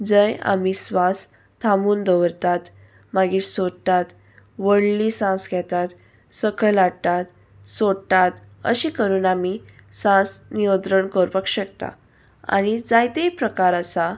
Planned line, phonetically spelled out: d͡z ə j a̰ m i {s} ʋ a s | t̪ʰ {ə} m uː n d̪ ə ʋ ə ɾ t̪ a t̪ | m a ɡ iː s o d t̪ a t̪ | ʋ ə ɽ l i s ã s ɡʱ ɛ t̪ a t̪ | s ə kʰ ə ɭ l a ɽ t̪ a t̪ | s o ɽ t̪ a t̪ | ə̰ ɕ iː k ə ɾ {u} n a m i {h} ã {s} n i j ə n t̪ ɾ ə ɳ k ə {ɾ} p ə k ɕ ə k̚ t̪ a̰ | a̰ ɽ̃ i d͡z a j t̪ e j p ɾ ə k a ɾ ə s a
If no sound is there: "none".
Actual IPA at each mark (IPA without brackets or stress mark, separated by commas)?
s, a, uː, s, s, ɾ